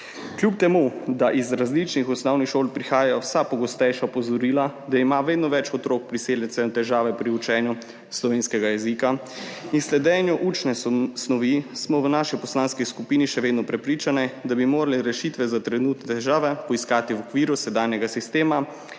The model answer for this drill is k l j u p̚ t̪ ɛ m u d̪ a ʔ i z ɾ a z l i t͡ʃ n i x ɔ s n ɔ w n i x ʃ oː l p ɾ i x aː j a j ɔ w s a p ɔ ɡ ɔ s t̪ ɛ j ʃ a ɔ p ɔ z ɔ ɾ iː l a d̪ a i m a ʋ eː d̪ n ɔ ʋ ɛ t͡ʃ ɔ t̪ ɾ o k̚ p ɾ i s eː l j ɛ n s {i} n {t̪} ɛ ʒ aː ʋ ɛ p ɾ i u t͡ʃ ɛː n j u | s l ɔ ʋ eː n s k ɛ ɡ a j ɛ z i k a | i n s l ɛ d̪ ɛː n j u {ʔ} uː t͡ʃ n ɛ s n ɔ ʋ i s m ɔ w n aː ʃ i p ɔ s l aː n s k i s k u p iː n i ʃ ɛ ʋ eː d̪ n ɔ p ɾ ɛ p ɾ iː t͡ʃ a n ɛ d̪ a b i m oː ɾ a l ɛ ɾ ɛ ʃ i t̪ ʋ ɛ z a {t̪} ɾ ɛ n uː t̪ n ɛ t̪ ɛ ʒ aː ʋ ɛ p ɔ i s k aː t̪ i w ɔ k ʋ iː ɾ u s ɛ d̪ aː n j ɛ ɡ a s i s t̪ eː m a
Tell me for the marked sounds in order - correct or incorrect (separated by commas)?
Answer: incorrect, correct, correct, correct